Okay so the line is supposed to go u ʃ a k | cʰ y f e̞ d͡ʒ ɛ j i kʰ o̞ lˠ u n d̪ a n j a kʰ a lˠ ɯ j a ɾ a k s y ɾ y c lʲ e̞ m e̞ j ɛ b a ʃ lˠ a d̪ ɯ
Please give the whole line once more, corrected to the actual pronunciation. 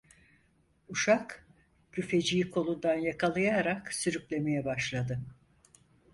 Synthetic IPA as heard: u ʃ a k | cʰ y f e̞ d͡ʒ i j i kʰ o̞ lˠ u n d̪ a n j a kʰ a lˠ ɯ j a ɾ a k s y ɾ y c lʲ e̞ m e̞ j ɛ b a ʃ lˠ a d̪ ɯ